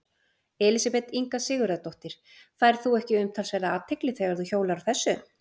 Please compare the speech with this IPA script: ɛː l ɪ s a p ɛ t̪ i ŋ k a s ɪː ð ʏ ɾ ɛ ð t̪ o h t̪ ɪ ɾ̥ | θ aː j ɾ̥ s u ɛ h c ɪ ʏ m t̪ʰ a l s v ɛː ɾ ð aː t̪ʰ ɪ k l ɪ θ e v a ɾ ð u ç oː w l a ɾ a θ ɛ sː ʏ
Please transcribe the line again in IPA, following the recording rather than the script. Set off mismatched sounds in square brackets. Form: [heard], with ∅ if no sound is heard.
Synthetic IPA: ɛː l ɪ s a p ɛ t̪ i ŋ k a s ɪː [ɣ] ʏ ɾ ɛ ð t̪ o h t̪ ɪ ɾ̥ | θ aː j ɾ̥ [θ] u ɛ h c ɪ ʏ m t̪ʰ a l s v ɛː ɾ ð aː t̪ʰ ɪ k l ɪ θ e [ɣ] a ɾ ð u ç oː w l a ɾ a θ ɛ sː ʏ